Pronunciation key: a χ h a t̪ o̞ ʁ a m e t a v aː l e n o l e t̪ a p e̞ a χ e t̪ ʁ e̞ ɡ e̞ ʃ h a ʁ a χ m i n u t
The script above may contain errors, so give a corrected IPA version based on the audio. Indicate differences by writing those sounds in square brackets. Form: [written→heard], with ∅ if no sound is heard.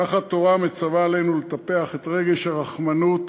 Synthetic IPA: a χ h a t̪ o̞ ʁ a m e [t→t͡s] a v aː l e n [o→u] l e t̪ a p e̞ a χ e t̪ ʁ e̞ ɡ e̞ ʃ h a ʁ a χ m [i→a] n u t